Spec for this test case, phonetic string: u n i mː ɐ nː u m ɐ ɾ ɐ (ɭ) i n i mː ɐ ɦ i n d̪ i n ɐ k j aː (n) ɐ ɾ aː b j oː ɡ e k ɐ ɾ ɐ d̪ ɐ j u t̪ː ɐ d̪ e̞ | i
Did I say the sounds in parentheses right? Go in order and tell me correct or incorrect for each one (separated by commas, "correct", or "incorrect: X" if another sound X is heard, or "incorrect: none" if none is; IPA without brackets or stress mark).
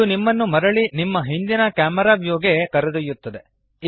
correct, incorrect: m